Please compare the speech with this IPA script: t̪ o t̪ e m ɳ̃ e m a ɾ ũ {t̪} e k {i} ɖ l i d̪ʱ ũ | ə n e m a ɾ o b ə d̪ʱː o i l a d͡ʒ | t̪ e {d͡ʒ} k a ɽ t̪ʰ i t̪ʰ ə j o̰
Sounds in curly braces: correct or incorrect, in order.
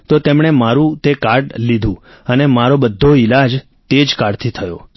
correct, incorrect: a, correct

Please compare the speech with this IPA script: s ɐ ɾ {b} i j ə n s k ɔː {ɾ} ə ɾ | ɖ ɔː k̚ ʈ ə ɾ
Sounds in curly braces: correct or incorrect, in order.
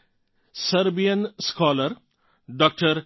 correct, incorrect: l

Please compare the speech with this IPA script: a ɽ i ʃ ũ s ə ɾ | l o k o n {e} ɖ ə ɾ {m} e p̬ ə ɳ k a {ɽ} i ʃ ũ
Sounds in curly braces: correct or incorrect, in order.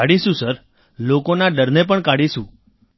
incorrect: a, incorrect: n, correct

